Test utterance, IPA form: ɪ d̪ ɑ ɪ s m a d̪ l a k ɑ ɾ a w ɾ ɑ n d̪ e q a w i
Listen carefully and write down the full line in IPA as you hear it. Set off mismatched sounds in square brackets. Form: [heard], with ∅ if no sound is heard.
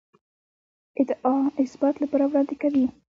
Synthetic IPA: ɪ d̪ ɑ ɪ s [b] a [t̪] l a [p] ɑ ɾ a w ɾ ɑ n d̪ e [k] a w i